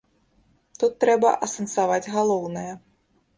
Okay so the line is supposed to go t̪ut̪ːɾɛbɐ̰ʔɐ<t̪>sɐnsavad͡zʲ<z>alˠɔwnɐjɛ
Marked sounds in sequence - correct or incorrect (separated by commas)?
incorrect, incorrect